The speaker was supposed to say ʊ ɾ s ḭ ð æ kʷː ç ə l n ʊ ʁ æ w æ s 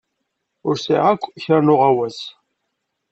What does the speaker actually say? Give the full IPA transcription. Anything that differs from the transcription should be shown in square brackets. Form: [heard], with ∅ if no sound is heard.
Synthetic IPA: ʊ ɾ s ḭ [ʁ] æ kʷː ç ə [ɾ] n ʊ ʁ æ w æ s